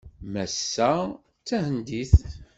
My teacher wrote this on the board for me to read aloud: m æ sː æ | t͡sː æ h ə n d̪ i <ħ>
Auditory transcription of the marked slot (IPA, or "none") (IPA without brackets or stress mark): θ